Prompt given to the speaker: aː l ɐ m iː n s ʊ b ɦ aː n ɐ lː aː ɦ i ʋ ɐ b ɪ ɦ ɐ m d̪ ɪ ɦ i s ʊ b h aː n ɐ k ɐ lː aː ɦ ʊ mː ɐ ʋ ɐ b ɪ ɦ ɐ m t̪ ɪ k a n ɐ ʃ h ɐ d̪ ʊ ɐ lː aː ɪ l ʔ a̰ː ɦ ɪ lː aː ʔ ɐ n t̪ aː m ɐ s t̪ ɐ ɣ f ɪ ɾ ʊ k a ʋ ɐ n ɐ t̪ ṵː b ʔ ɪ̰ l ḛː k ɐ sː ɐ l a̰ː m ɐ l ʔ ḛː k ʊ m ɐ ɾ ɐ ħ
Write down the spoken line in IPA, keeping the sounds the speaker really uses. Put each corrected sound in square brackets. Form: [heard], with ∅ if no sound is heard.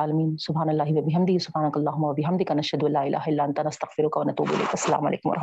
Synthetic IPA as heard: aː l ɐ m iː n s ʊ b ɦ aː n ɐ lː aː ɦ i ʋ ɐ b ɪ ɦ ɐ m d̪ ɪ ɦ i s ʊ b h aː n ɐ k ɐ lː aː ɦ ʊ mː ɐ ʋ ɐ b ɪ ɦ ɐ m [d̪] ɪ k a n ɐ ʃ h ɐ d̪ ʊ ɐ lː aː ɪ l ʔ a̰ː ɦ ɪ lː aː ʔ ɐ n t̪ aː [n] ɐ s t̪ ɐ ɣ f ɪ ɾ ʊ k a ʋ ɐ n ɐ t̪ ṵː b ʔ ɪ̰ l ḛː k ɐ sː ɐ l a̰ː m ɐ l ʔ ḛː k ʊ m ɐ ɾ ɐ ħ